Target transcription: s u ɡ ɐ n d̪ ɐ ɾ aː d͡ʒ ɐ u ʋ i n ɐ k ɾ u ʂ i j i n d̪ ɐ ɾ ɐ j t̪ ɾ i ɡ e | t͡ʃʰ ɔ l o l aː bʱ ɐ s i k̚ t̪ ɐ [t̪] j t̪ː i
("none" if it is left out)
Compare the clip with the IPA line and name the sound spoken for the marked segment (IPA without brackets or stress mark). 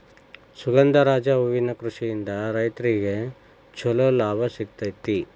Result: none